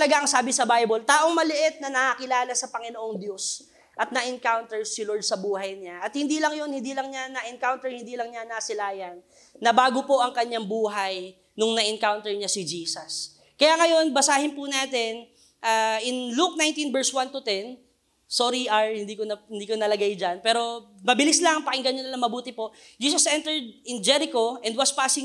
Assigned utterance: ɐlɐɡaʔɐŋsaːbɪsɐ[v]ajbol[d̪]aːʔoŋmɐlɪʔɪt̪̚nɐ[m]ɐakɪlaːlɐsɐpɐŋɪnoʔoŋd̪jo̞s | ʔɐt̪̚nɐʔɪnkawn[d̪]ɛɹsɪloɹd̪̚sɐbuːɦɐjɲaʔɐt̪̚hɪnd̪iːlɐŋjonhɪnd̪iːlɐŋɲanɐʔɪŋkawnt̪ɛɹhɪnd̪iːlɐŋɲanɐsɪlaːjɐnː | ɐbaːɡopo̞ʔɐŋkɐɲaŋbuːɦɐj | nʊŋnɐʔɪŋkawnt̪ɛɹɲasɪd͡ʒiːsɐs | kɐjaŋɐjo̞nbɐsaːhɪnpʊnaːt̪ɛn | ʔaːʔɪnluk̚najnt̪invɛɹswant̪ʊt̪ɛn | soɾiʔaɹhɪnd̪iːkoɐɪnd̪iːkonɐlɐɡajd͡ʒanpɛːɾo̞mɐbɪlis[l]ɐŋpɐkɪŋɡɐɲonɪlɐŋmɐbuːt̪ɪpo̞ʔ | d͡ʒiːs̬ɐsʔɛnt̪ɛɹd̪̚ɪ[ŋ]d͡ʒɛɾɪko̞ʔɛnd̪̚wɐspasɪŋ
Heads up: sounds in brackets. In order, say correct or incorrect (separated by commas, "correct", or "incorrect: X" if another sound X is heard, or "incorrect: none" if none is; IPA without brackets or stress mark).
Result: incorrect: b, incorrect: t̪, incorrect: n, incorrect: t̪, correct, incorrect: n